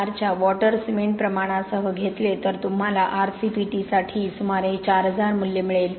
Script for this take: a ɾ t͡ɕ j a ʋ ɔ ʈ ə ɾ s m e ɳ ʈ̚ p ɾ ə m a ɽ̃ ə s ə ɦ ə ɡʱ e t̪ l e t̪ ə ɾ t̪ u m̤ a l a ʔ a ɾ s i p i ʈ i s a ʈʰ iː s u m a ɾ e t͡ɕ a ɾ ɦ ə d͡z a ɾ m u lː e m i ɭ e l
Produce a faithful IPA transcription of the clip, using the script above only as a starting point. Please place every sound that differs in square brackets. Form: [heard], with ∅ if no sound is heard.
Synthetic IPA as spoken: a ɾ t͡ɕ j a ʋ ɔ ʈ ə ɾ s m e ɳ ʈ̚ p ɾ ə m a ɽ̃ [a] s ə ɦ ə ɡʱ e t̪ l e t̪ ə ɾ t̪ u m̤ a l a ʔ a ɾ s i p i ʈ i s a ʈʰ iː s u m a ɾ e t͡ɕ a ɾ ɦ ə d͡z a ɾ m u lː e m i ɭ e l